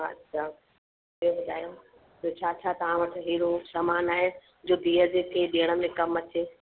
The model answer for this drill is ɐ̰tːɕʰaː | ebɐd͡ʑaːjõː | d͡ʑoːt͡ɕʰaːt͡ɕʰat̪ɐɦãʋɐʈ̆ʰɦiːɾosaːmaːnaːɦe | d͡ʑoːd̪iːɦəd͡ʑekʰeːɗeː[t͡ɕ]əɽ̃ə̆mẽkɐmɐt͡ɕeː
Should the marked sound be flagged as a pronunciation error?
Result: yes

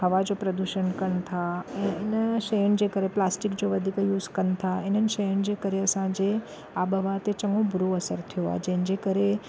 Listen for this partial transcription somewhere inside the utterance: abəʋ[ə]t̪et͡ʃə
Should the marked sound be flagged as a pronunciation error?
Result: yes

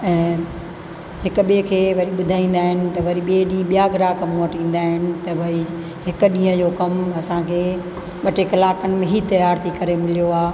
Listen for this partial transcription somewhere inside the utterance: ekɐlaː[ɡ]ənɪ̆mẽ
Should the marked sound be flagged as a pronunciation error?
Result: yes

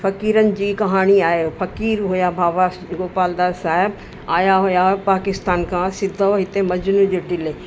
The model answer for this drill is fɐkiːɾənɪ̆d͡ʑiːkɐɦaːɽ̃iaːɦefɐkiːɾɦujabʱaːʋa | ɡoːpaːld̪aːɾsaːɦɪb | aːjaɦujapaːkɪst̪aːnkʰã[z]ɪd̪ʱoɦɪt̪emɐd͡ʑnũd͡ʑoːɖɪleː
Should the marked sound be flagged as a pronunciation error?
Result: yes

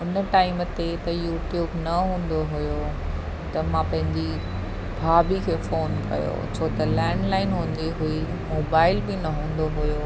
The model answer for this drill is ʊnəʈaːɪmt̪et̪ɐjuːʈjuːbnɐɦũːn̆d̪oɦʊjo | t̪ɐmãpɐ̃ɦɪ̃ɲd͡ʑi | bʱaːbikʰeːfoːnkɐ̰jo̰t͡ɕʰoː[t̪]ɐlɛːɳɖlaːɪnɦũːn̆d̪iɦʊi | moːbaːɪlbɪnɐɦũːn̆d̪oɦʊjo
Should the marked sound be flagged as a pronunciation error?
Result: no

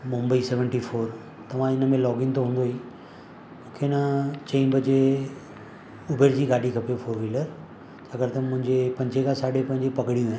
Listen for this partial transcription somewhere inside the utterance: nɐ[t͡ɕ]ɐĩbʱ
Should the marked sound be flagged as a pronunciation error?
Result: no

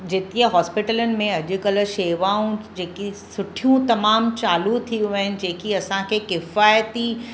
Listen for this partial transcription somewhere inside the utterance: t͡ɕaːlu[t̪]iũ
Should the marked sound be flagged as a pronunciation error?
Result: yes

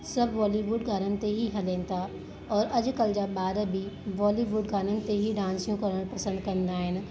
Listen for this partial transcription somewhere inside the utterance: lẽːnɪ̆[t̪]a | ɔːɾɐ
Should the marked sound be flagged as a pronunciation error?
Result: yes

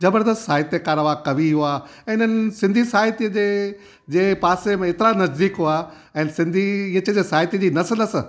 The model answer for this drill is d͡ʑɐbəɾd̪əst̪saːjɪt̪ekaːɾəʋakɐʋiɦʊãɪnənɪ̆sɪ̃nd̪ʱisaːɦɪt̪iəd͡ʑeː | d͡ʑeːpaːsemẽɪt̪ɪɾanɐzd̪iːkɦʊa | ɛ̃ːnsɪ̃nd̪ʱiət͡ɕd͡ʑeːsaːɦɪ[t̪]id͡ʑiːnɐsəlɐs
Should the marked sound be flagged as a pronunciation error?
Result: no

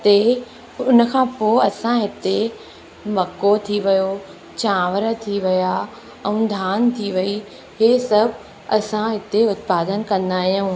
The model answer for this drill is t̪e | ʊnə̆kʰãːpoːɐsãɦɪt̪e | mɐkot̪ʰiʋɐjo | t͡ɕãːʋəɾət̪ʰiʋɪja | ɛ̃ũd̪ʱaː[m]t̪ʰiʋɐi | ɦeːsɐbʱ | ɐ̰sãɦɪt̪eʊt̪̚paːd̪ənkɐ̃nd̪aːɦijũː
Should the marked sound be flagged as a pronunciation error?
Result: yes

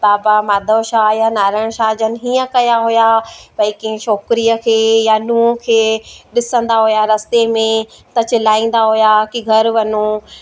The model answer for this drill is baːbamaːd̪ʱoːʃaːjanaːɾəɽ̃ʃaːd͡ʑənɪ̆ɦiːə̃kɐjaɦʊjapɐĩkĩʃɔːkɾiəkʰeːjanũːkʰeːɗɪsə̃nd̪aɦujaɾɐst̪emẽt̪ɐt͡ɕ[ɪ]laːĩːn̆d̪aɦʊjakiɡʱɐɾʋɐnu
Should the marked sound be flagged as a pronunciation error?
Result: no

